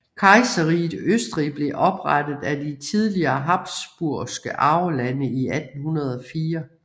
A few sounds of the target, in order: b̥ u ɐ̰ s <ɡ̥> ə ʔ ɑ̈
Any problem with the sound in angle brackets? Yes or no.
no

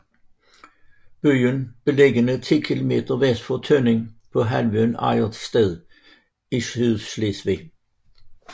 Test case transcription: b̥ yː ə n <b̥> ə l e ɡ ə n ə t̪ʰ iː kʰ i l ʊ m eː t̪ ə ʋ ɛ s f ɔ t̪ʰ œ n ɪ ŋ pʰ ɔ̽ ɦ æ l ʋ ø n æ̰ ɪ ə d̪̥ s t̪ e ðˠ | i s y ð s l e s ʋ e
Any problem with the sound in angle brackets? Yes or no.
no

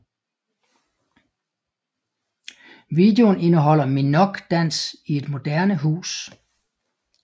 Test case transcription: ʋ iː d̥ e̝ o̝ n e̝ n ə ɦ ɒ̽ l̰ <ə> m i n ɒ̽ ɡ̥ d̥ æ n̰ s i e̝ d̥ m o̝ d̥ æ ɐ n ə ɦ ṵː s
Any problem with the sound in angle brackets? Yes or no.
yes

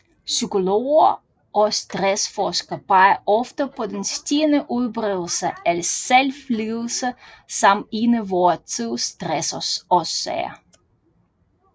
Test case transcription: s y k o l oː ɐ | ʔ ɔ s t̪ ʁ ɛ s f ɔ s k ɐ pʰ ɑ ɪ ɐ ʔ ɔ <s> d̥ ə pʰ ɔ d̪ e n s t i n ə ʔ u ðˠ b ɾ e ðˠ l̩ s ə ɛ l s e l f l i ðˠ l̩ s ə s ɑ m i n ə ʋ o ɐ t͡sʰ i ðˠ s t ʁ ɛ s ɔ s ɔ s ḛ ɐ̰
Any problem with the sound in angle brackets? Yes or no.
yes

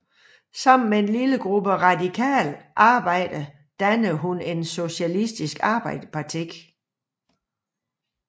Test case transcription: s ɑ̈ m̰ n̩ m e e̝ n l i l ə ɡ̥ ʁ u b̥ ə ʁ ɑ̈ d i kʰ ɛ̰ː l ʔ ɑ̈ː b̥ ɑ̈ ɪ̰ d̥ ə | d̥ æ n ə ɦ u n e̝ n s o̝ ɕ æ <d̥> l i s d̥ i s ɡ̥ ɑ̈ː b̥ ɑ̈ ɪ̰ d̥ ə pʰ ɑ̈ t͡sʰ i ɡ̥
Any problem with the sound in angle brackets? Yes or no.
yes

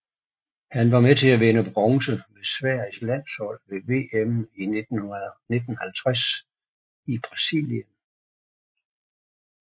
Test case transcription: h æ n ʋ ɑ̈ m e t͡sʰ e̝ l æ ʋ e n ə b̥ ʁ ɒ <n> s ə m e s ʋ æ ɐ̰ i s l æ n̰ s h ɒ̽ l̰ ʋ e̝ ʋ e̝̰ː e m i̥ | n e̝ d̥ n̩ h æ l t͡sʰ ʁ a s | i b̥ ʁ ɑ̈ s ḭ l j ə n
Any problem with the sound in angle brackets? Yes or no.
yes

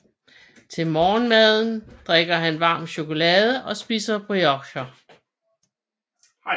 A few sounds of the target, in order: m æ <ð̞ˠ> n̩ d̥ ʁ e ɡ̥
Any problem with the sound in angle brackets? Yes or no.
no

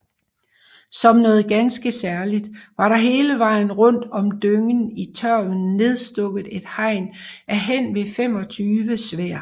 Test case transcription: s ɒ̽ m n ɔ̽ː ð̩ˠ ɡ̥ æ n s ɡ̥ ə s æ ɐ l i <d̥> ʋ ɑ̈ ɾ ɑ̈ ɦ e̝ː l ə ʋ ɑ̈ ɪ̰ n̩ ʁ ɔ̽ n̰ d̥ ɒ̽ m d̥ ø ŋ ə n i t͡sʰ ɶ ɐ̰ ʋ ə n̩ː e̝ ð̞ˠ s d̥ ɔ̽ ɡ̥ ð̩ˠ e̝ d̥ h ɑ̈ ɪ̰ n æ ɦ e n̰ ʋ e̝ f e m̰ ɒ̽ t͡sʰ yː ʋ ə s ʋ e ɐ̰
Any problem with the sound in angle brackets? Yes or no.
no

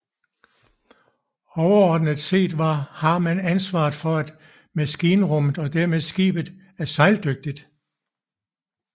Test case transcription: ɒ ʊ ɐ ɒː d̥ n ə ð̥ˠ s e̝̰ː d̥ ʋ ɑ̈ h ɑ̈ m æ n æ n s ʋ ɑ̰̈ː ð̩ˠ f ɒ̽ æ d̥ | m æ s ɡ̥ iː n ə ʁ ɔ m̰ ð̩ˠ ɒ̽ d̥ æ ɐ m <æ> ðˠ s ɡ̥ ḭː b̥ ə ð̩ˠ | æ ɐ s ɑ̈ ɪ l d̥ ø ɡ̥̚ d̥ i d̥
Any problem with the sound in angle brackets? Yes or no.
yes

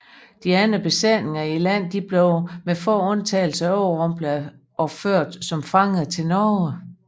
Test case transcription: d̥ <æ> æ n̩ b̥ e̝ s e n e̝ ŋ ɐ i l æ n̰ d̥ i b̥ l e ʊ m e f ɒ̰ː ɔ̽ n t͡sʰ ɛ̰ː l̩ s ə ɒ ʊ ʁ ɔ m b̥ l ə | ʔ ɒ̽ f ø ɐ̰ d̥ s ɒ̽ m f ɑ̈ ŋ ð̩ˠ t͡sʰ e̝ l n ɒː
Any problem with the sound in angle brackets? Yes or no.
yes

